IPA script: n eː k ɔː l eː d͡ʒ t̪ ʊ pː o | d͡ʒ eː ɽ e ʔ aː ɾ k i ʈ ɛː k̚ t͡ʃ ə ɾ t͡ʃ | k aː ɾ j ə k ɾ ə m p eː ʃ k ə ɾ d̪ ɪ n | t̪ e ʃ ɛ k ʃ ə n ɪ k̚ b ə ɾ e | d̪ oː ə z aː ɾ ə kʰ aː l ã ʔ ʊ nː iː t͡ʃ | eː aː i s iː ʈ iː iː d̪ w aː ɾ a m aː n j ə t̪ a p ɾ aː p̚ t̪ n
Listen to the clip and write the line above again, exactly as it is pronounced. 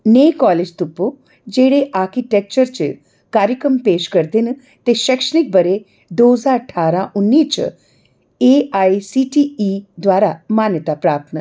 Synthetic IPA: n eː k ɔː l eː d͡ʒ t̪ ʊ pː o | d͡ʒ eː ɽ e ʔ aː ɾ k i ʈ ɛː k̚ t͡ʃ ə ɾ t͡ʃ | k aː ɾ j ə k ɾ ə m p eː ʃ k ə ɾ d̪ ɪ n | t̪ e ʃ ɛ k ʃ ə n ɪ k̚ b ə ɾ e | d̪ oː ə z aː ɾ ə ʈʰ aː ɾ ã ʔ ʊ nː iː t͡ʃ | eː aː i s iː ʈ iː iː d̪ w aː ɾ a m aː n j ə t̪ a p ɾ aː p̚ t̪ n